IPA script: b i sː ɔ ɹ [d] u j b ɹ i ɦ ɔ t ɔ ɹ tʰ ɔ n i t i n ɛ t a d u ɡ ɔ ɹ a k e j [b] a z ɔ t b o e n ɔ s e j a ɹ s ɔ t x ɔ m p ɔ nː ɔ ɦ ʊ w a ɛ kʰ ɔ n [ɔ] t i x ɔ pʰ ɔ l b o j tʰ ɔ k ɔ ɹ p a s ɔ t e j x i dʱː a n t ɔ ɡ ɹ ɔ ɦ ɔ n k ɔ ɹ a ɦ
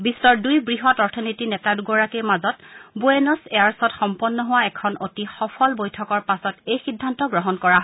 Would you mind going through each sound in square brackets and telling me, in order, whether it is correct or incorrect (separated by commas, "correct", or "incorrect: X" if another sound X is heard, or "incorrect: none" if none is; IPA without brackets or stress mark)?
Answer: correct, incorrect: m, incorrect: o